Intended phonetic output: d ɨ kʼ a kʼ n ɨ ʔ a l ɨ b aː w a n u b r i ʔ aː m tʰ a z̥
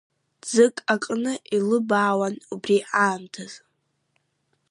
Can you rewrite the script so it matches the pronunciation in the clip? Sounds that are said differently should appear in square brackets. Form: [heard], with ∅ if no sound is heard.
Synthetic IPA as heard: [d͡z] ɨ kʼ a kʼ n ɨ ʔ [i] l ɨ b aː w a n u b r i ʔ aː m tʰ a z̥